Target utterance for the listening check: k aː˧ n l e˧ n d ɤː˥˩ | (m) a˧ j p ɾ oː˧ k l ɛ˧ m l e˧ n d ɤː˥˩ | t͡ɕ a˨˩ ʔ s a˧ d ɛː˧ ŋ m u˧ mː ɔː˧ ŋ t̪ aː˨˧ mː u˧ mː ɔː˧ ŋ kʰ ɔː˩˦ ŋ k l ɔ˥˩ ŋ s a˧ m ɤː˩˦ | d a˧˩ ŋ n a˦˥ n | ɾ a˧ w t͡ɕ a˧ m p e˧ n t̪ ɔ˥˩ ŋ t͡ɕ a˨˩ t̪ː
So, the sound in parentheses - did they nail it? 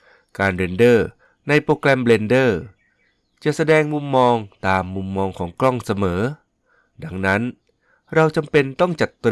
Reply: no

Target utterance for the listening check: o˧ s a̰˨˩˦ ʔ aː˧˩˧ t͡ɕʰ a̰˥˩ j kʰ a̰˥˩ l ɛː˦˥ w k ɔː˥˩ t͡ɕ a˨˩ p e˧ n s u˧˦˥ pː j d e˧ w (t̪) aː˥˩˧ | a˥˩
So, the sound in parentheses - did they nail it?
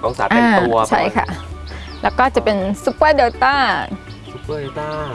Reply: yes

